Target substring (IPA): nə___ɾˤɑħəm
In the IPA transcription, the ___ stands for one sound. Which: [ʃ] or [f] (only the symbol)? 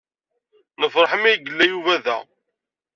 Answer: f